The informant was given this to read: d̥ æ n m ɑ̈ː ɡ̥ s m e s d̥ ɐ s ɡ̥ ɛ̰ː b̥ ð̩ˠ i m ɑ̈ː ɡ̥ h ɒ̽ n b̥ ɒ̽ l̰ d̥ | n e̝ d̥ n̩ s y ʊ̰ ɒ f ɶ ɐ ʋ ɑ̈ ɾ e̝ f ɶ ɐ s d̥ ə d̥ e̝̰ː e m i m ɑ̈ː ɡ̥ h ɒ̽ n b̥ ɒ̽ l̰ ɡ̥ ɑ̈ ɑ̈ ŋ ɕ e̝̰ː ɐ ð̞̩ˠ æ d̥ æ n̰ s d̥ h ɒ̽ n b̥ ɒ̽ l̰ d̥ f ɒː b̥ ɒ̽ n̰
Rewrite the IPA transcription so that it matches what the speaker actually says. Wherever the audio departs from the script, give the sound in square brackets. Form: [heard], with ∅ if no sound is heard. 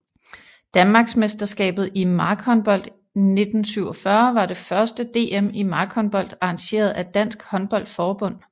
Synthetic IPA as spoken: d̥ æ n m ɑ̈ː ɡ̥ s m e s d̥ ɐ s ɡ̥ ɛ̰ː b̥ ð̩ˠ i m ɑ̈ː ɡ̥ h ɒ̽ n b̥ ɒ̽ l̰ d̥ | n e̝ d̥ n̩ s y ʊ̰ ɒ f ɶ ɐ ʋ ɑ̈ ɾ e̝ f ɶ ɐ s d̥ ə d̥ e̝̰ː e m i m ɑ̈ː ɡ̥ h ɒ̽ n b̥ ɒ̽ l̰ [d̥] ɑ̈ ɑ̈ ŋ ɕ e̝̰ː ɐ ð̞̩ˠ æ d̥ æ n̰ s [ɡ̥] h ɒ̽ n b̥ ɒ̽ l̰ d̥ f ɒː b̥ [ɔ̽] n̰